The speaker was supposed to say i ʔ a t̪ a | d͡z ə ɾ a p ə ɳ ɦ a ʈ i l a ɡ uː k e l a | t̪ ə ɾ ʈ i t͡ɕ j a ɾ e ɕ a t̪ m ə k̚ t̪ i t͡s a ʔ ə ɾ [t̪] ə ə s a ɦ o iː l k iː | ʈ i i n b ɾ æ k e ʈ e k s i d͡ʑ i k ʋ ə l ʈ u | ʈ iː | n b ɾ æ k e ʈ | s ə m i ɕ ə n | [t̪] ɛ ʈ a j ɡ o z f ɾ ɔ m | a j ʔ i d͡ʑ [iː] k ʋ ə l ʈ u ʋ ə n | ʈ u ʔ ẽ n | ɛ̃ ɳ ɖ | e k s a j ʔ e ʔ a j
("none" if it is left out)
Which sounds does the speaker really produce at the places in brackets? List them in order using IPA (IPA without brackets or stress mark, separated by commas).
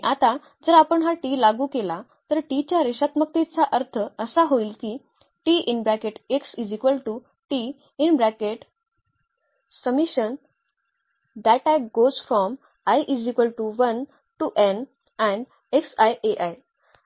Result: t̪ʰ, d̪, i